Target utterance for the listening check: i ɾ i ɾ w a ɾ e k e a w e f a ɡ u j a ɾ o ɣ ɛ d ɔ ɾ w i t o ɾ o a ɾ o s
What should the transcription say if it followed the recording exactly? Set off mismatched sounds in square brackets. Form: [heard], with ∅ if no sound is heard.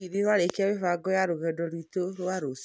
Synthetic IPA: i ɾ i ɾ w a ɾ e k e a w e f a ɡ [ɔ] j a ɾ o ɣ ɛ d ɔ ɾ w i t o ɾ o a ɾ o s